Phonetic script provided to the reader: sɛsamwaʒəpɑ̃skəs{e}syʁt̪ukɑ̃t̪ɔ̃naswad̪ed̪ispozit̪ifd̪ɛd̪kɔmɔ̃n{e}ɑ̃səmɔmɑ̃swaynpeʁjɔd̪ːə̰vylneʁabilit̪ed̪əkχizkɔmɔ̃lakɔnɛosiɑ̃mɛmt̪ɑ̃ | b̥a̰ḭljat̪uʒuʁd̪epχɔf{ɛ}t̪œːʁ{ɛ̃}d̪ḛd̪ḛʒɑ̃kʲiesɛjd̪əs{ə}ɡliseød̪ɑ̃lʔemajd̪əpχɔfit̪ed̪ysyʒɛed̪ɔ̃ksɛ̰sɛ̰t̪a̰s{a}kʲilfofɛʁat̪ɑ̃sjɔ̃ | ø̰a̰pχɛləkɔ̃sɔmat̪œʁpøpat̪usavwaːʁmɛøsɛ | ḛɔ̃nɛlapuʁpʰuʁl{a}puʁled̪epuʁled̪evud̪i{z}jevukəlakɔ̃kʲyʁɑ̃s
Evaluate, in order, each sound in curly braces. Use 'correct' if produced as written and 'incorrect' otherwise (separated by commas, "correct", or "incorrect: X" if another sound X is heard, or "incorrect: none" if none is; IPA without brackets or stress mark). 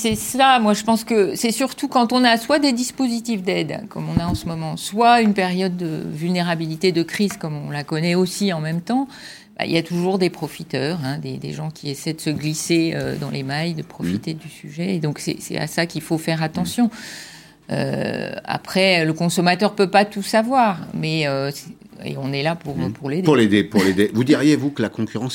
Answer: incorrect: ɛ, incorrect: a, incorrect: i, correct, correct, correct, incorrect: e, incorrect: ʁ